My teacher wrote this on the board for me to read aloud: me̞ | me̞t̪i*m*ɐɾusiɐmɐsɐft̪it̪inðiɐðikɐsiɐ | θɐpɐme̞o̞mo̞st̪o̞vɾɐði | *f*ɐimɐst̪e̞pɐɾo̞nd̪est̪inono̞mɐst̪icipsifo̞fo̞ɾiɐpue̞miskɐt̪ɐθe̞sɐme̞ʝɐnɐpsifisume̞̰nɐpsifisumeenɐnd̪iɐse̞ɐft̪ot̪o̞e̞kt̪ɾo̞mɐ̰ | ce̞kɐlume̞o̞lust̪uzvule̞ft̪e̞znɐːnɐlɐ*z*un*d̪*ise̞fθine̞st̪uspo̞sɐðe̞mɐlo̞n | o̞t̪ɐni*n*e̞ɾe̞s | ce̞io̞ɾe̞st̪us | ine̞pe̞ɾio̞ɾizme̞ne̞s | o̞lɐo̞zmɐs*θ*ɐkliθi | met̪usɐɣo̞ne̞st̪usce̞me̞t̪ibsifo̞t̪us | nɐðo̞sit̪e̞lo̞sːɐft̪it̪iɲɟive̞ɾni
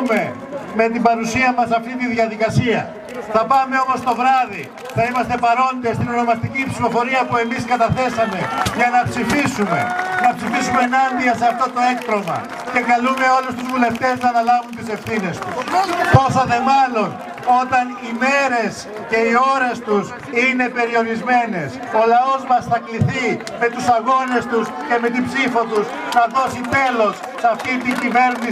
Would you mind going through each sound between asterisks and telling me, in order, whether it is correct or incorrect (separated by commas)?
incorrect, incorrect, incorrect, incorrect, incorrect, correct